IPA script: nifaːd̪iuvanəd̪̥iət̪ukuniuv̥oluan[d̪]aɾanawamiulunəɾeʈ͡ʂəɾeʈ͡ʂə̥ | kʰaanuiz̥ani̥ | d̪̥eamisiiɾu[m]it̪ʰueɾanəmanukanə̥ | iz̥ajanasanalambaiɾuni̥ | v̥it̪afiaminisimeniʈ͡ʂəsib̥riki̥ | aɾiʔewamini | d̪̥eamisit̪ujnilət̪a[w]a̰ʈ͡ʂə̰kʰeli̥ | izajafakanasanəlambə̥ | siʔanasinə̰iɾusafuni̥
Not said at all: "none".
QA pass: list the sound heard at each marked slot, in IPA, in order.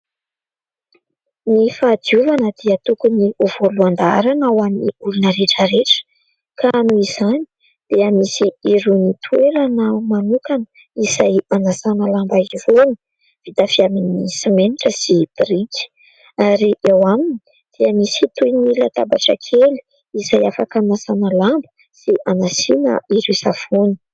d̪, n, b

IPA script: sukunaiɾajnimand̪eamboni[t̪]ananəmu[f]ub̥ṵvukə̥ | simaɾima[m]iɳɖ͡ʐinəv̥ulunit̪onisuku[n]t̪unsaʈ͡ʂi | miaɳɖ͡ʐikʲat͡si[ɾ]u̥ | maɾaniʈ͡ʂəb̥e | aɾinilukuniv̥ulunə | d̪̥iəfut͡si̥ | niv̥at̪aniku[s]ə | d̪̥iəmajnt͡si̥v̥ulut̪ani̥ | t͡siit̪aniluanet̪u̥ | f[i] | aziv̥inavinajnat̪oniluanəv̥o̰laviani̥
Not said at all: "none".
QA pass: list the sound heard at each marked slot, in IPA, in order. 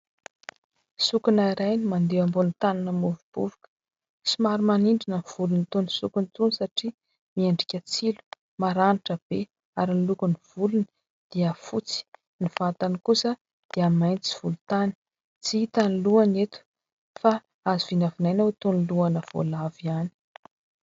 t̪, v, n, n, l, s, a

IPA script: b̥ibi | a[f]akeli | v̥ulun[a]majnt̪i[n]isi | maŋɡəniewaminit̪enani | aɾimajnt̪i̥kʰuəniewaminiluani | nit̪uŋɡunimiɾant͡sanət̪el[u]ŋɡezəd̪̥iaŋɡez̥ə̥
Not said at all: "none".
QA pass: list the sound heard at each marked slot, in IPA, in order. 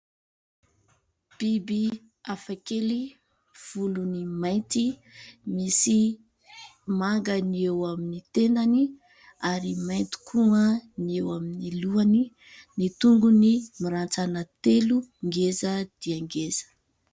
f, i, m, u

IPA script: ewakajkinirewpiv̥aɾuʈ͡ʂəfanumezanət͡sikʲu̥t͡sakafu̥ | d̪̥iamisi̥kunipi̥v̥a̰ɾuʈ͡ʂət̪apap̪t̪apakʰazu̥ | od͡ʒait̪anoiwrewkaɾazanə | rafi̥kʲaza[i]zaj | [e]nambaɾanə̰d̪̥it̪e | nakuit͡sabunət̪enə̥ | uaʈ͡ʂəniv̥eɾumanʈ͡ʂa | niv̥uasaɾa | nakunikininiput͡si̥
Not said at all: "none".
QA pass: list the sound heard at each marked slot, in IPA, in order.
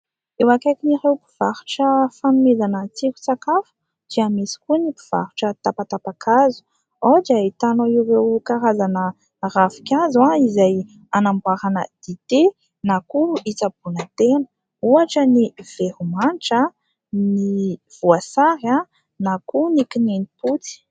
i, a

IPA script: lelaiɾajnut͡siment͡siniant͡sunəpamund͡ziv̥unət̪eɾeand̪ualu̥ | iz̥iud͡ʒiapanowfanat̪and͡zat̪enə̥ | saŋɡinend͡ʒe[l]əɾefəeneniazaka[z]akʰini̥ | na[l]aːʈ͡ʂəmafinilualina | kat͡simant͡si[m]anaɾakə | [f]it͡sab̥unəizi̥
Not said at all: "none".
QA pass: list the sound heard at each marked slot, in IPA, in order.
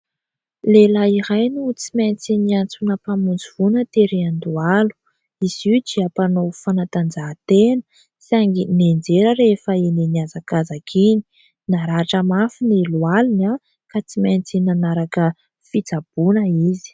ɾ, z, ɾ, n, f

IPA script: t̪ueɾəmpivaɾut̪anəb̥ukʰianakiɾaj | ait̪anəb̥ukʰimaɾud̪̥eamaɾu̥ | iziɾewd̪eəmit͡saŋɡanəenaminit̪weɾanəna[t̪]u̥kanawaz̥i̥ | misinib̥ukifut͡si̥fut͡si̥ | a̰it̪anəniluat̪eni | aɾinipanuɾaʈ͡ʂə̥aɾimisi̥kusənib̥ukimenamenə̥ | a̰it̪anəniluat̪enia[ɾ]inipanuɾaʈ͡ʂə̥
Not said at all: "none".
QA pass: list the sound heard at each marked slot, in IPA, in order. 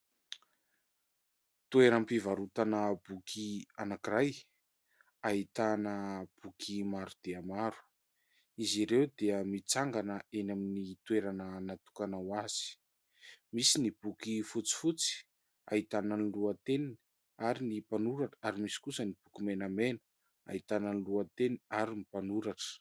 t̪, ɾ

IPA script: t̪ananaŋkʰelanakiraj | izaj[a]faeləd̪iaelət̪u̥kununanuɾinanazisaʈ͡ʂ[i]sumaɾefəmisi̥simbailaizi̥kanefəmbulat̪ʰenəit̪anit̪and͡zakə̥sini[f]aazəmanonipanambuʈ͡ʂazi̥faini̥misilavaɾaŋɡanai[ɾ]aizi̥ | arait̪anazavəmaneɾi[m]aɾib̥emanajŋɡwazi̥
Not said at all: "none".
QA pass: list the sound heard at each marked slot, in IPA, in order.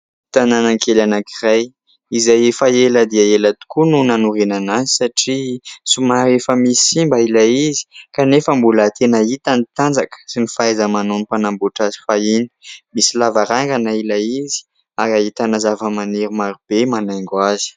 e, i, f, l, m

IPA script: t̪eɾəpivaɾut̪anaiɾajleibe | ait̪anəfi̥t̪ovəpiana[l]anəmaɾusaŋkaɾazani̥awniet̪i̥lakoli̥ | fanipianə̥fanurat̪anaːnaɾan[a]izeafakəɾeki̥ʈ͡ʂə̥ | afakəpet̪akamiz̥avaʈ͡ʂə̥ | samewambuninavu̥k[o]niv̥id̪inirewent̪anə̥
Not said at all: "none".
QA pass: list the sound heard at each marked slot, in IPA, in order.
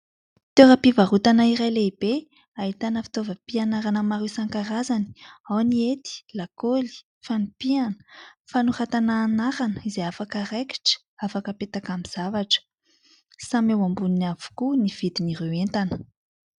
ɾ, ə, u

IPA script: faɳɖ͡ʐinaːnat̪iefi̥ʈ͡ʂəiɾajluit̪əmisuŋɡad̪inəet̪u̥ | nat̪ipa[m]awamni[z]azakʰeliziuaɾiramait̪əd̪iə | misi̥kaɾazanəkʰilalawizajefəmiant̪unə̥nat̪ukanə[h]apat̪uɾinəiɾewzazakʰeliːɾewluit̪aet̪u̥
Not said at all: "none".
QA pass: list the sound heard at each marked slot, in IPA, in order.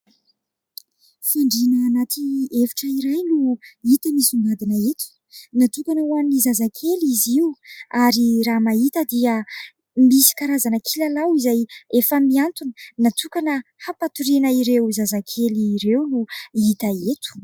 n, z, h

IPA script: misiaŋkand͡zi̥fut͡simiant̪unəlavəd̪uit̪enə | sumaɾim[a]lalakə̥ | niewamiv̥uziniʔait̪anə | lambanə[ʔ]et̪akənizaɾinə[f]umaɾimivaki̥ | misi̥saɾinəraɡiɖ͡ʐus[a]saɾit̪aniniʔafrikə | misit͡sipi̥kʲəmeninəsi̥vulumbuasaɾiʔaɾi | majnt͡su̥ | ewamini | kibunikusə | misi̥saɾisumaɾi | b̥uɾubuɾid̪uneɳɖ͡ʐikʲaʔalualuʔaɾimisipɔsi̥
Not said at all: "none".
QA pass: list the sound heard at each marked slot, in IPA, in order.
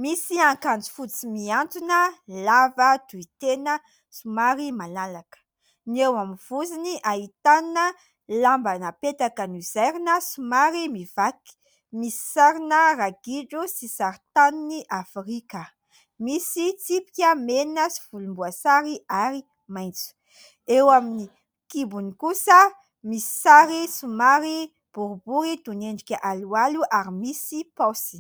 a, p, s, i

